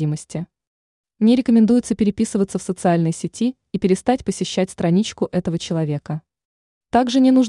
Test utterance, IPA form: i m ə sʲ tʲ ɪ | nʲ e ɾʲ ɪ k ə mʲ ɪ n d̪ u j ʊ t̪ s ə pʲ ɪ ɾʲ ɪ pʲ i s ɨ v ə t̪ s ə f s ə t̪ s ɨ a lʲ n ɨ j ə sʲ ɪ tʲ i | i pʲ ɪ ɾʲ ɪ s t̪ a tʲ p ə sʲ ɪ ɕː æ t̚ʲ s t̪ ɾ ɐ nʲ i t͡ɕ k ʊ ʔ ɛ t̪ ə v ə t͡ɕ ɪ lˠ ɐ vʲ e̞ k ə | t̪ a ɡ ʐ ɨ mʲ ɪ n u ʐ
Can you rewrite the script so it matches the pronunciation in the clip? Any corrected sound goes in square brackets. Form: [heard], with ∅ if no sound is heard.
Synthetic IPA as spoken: i m ə sʲ tʲ ɪ | nʲ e ɾʲ ɪ k ə mʲ ɪ n d̪ u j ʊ t̪ s ə pʲ ɪ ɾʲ ɪ pʲ i s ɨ v ə t̪ s ə f s ə t̪ s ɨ a lʲ n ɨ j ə sʲ ɪ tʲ i | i pʲ ɪ ɾʲ ɪ s t̪ a tʲ p ə sʲ ɪ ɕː æ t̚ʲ s t̪ ɾ ɐ nʲ i t͡ɕ k ʊ ʔ ɛ t̪ ə v ə t͡ɕ ɪ lˠ ɐ vʲ e̞ k ə | t̪ a ɡ ʐ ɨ [nʲ] ɪ n u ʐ